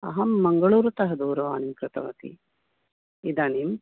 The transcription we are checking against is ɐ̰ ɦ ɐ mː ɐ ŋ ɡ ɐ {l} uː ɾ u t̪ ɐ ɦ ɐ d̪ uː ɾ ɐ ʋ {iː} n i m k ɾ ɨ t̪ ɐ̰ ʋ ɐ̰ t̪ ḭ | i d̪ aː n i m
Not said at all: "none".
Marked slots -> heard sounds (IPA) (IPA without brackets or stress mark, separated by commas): ɭ, aː